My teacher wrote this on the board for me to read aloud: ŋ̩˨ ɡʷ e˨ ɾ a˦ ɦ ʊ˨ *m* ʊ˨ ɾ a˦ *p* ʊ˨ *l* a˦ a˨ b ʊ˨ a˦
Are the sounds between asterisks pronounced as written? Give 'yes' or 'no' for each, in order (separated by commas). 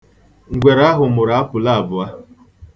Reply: yes, yes, yes